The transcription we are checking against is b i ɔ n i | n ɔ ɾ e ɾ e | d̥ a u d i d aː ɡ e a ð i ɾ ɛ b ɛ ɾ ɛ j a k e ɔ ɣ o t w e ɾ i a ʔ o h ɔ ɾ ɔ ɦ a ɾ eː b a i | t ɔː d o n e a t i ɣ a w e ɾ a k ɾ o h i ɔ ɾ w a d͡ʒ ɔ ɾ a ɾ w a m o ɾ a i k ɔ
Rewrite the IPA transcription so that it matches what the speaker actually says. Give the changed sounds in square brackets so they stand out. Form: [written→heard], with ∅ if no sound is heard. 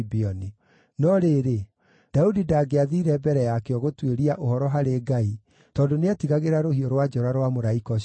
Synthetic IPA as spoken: b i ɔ n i | n ɔ ɾ e ɾ e | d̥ a u d i d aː ɡ e a ð i ɾ ɛ b ɛ ɾ ɛ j a k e ɔ ɣ o t w e ɾ i a ʔ o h ɔ ɾ ɔ ɦ a ɾ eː [b→ɡ] a i | t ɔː d o n e a t i ɣ a [w→ɣ] e ɾ a [k→∅] ɾ o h i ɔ ɾ w a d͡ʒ ɔ ɾ a ɾ w a m o ɾ a i k ɔ

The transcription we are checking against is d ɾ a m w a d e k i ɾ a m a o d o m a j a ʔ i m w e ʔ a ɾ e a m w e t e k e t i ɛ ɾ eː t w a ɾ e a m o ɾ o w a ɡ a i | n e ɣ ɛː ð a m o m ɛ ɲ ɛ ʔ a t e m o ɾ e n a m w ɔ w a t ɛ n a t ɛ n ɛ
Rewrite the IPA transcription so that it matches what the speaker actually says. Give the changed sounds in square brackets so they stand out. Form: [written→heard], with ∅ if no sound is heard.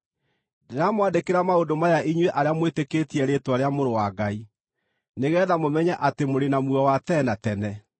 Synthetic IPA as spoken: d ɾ a m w a d e k [i→e] ɾ a m a o d o m a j a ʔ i [m→ɲ] w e ʔ a ɾ e a m w e t e k e t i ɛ ɾ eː t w a ɾ e a m o ɾ o w a ɡ a i | n e ɣ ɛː ð a m o m ɛ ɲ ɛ ʔ a t e m o ɾ e n a m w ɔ w a t ɛ n a t ɛ n ɛ

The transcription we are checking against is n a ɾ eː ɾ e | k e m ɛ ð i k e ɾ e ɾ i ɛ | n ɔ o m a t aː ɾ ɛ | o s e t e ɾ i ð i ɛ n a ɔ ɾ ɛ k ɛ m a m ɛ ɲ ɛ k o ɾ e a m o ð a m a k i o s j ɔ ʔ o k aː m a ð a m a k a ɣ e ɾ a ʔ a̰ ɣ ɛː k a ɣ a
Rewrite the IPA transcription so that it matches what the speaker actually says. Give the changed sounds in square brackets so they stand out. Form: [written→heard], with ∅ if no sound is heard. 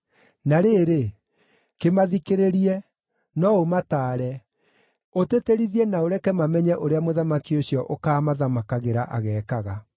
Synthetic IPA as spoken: n a ɾ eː ɾ e | k e m [ɛ→a] ð i k e ɾ e ɾ i ɛ | n ɔ o m a t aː ɾ ɛ | o [s→t] e t e ɾ i ð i ɛ n a [ɔ→o] ɾ ɛ k ɛ m a m ɛ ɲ ɛ [k→ʔ] o ɾ e a m o ð a m a k i o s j ɔ ʔ o k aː m a ð a m a k a ɣ e ɾ a ʔ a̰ ɣ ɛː k a ɣ a

